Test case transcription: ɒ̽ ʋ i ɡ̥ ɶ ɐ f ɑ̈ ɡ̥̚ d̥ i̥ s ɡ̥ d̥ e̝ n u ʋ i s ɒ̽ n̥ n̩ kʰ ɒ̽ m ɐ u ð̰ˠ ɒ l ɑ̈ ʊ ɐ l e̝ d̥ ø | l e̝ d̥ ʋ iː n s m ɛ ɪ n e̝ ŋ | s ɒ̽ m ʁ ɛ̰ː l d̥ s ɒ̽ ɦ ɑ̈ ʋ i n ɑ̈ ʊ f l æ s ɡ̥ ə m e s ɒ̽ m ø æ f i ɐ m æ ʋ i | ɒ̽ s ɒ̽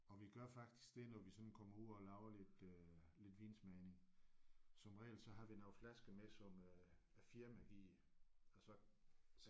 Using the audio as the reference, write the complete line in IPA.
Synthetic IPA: ɒ̽ ʋ i ɡ̥ ɶ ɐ f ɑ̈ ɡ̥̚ d̥ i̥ s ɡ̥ d̥ e̝ n ɒ ʋ i s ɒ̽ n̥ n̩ kʰ ɒ̽ m ɐ u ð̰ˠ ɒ l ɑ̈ ʊ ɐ l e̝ d̥ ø | l e̝ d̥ ʋ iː n s m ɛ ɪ n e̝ ŋ | s ɒ̽ m ʁ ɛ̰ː l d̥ s ɒ̽ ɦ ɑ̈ ʋ i n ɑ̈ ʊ f l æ s ɡ̥ ə m e s ɒ̽ m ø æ f i ɐ m æ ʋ i | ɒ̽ s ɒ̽